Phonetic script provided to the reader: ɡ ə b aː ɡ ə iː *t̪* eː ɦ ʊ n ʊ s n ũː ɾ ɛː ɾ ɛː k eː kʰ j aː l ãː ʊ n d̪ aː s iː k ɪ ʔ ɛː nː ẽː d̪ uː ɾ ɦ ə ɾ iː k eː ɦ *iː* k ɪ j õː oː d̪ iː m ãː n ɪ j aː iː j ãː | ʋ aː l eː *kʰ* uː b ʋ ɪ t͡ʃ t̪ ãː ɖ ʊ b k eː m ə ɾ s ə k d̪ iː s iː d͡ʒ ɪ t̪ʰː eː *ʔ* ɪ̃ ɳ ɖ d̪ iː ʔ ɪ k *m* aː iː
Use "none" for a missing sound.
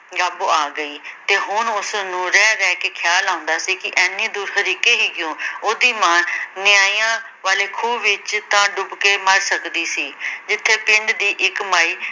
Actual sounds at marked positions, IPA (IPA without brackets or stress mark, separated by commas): t̪, iː, kʰ, p, m